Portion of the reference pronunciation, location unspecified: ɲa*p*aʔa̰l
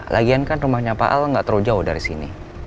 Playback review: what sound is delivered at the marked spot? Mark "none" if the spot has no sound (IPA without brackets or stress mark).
p